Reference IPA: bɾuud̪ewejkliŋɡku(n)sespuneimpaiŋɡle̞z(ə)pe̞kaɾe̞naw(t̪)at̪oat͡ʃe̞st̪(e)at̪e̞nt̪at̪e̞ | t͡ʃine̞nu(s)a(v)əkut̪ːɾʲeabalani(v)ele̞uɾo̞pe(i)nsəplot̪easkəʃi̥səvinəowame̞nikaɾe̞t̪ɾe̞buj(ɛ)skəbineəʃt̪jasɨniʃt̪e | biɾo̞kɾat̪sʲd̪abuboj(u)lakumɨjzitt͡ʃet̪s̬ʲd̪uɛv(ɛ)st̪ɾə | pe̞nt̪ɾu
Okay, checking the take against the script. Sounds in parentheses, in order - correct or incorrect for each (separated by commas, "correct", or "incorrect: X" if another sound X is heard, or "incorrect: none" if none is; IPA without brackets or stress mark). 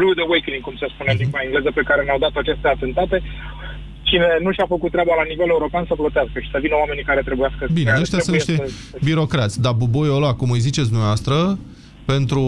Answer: incorrect: m, correct, incorrect: d̪, correct, incorrect: ʃ, incorrect: f, correct, incorrect: a, incorrect: a, incorrect: o, incorrect: a